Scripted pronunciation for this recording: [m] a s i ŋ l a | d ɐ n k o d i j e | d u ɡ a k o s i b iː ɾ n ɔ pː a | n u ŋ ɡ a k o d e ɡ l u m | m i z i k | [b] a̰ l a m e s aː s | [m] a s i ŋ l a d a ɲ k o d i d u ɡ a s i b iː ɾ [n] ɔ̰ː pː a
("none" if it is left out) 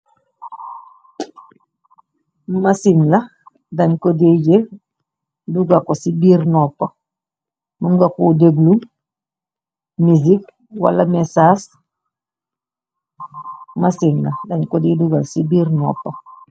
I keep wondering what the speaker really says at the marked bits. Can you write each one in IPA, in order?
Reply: m, w, m, n

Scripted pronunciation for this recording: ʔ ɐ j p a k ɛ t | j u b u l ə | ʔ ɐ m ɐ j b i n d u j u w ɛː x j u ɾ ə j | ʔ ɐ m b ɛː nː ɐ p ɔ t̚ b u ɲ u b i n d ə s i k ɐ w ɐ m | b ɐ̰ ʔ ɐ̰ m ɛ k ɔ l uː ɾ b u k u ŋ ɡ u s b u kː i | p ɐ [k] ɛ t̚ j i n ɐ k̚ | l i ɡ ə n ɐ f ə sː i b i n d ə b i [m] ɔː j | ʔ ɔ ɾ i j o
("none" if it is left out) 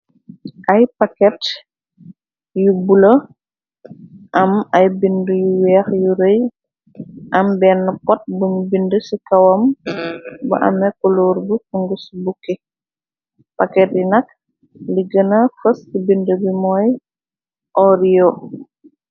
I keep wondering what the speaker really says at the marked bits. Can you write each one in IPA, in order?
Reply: k, m

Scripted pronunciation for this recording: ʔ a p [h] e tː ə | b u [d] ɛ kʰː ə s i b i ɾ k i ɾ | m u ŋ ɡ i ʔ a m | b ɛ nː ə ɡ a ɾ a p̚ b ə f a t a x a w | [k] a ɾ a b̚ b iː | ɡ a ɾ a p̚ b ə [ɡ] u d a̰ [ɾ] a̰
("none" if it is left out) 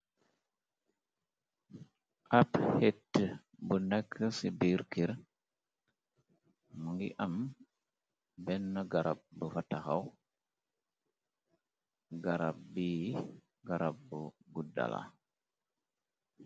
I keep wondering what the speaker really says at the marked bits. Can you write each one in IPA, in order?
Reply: h, n, ɡ, ɡ, l

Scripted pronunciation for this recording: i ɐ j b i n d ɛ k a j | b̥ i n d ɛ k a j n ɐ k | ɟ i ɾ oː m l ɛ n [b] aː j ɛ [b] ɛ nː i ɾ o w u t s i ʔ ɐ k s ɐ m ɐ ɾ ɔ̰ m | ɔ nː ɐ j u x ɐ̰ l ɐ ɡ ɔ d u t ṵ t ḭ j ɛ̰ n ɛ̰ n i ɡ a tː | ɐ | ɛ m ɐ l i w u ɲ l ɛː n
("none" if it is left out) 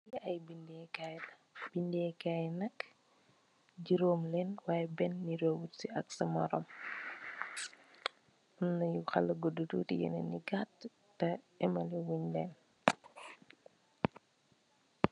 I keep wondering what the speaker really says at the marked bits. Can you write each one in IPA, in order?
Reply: w, b

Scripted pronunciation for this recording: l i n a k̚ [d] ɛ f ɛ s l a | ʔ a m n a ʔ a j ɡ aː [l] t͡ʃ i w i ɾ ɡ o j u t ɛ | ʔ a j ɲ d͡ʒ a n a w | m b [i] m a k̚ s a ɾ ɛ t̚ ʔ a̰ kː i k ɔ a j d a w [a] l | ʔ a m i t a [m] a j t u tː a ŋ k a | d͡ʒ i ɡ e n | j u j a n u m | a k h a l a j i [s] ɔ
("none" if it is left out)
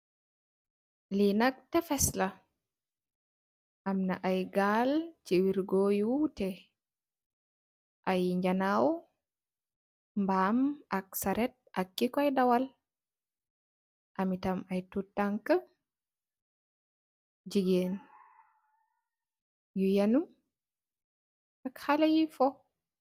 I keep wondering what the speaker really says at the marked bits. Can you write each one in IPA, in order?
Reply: t, l, a, a, m, f

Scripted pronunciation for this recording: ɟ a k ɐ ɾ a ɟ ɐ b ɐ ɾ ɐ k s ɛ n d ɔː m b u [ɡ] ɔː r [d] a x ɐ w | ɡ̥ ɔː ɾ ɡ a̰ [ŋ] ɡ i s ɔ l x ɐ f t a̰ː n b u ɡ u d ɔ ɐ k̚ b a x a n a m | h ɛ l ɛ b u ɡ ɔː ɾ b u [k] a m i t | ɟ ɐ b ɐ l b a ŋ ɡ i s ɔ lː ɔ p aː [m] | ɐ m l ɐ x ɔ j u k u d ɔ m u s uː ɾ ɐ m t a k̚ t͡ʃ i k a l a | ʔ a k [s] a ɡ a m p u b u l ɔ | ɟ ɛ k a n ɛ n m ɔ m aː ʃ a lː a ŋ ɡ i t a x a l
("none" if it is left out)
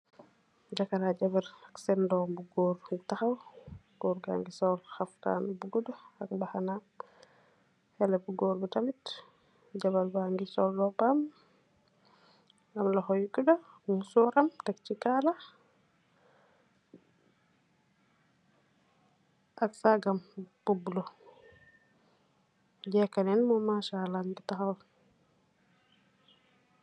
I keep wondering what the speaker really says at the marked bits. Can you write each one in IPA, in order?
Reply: ɡ, t, ŋ, t, m, s

